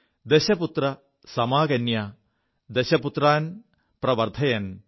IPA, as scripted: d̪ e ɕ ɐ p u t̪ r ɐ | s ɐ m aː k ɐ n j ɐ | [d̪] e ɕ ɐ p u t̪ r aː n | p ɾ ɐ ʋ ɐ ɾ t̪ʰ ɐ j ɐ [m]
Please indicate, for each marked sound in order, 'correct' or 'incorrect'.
correct, incorrect

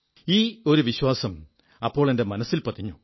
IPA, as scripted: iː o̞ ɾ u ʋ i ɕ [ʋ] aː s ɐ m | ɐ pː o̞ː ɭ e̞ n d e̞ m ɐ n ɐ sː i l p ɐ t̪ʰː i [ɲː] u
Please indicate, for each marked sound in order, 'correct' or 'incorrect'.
incorrect, correct

